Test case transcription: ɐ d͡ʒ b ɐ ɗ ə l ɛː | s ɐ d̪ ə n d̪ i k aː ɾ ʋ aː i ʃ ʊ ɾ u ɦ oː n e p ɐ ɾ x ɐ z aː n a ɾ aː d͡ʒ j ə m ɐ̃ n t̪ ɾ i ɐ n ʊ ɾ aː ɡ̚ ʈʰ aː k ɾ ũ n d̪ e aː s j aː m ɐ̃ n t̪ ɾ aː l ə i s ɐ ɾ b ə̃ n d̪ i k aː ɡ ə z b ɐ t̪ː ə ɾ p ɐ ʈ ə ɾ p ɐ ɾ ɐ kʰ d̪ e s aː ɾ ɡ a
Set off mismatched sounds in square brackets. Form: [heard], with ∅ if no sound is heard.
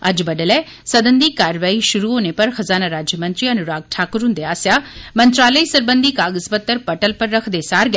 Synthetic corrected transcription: ɐ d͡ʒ b ɐ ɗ ə l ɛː | s ɐ d̪ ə n d̪ i k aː ɾ ʋ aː i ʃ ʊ ɾ u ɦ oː n e p ɐ ɾ x ɐ z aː n a ɾ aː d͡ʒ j ə m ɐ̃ n t̪ ɾ i ɐ n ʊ ɾ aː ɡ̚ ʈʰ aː k ɾ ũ n d̪ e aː s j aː m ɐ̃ n t̪ ɾ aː l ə i s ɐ ɾ b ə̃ n d̪ i k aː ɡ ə z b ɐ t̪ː ə ɾ p ɐ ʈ ə [l] p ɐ [ɾː] ɐ kʰ d̪ e s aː ɾ ɡ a